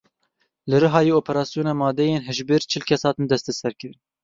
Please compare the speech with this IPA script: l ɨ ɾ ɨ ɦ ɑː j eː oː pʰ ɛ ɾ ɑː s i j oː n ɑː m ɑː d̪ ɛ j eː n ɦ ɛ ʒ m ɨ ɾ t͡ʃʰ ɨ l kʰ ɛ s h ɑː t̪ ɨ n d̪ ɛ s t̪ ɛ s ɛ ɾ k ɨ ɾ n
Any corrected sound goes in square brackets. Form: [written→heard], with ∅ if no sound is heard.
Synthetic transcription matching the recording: l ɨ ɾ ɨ ɦ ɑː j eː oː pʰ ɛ ɾ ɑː s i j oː n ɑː m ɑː d̪ ɛ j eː n ɦ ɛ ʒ [m→b] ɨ ɾ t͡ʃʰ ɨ l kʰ ɛ s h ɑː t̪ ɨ n d̪ ɛ s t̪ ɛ s ɛ ɾ k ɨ ɾ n